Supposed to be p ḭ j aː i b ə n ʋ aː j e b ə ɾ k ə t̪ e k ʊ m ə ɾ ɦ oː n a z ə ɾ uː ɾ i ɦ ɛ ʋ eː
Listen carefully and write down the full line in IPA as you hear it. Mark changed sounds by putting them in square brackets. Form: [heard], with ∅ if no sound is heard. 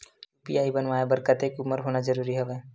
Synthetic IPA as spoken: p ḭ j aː i b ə n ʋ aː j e b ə ɾ k ə t̪ e k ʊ m ə ɾ ɦ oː n a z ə ɾ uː ɾ i ɦ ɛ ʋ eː

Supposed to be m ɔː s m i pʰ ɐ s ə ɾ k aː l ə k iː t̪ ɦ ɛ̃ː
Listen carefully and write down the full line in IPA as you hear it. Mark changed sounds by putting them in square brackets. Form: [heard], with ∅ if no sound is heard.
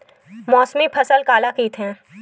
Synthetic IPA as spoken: m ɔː s m i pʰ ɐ s ə [l] k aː l [a] k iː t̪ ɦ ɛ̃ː

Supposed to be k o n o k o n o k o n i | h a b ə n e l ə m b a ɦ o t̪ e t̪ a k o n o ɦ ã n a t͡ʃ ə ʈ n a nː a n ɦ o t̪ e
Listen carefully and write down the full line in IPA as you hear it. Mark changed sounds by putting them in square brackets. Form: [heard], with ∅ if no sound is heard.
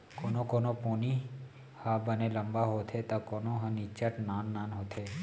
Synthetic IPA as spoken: k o n o k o n o [p] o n i | h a b ə n e l ə m b a ɦ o [t̪ʰ] e t̪ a k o n o ɦ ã n [i] t͡ʃ ə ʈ n a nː a n ɦ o [t̪ʰ] e

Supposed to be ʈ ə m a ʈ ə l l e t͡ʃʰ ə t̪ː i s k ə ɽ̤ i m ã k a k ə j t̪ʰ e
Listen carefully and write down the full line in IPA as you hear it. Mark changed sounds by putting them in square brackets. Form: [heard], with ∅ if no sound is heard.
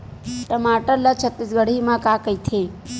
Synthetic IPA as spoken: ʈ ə m a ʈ ə [ɾ] l [a] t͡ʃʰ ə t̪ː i s [ɡ] ə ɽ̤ i m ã k a k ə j t̪ʰ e

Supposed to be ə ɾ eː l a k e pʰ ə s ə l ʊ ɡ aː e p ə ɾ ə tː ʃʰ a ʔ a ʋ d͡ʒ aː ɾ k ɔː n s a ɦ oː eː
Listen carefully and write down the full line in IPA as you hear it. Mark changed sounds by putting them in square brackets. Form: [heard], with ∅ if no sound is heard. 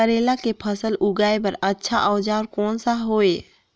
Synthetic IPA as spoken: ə ɾ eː l a k e pʰ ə s ə l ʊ ɡ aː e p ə ɾ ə tː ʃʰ a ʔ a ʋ d͡ʒ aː ɾ k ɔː n s a ɦ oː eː

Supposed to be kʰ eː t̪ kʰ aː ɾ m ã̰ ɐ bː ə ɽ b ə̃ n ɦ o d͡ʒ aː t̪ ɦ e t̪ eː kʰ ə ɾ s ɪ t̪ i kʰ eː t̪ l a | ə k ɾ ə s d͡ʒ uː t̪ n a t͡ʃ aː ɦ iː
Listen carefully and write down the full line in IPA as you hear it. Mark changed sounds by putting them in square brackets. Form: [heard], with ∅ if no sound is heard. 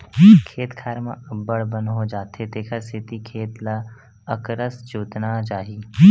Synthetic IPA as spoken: kʰ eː t̪ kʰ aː ɾ m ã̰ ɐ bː ə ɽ b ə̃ n ɦ o d͡ʒ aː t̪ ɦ e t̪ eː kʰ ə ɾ s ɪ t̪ i kʰ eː t̪ l a | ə k ɾ ə s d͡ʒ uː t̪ n a t͡ʃ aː ɦ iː

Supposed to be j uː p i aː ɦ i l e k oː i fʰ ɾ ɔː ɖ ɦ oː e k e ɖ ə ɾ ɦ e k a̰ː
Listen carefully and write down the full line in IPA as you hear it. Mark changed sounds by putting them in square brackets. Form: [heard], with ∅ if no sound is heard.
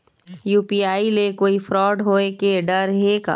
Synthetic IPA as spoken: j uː p i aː [∅] i l e k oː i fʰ ɾ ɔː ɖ ɦ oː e k e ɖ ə ɾ ɦ e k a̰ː

